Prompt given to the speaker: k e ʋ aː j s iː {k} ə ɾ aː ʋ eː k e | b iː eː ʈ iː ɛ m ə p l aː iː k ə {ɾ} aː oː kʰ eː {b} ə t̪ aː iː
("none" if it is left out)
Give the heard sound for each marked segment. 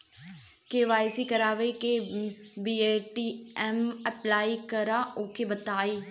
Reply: k, ɾ, b

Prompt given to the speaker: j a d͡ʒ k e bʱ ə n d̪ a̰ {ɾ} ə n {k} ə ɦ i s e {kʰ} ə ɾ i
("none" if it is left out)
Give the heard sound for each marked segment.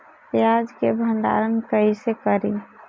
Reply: ɾ, k, k

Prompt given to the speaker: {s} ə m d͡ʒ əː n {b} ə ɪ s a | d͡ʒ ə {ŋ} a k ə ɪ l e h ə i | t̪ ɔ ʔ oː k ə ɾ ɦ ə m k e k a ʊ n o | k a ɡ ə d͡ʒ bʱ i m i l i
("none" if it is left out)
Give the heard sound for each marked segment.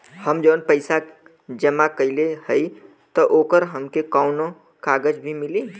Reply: h, p, m

